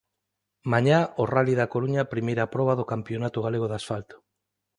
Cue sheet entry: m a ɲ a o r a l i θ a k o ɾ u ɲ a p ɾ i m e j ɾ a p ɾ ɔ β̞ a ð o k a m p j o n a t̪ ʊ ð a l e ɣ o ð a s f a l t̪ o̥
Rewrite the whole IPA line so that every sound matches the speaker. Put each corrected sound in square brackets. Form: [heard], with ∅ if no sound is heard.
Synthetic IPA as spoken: m a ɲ a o r a l i [ð] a k o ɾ u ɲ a p ɾ i m e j ɾ a p ɾ ɔ β̞ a ð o k a m p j o n a t̪ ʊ [ɣ] a l e ɣ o ð a s f a l t̪ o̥